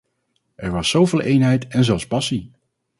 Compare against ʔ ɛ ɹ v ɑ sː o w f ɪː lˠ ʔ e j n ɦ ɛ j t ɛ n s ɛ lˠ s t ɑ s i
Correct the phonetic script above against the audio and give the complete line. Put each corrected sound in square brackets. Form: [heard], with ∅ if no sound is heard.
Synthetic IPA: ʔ ɛ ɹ [ʋ] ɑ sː o w [v] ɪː lˠ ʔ e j n ɦ ɛ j t ɛ n [z] ɛ lˠ s [p] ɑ s i